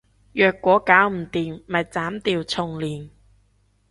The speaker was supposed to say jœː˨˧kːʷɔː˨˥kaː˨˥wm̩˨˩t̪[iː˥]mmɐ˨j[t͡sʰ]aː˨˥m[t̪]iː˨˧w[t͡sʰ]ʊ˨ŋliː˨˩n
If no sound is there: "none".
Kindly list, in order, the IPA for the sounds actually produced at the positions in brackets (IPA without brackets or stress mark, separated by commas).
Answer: iː˨, t͡s, t̪, t͡sʰ